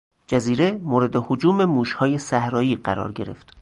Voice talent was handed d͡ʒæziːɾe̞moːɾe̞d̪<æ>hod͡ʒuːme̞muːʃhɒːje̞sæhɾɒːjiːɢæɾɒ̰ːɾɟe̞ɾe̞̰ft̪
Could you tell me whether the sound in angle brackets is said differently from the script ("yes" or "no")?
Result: yes